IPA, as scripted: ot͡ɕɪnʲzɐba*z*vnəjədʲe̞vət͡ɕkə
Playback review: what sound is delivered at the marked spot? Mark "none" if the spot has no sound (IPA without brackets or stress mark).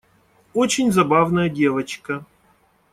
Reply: none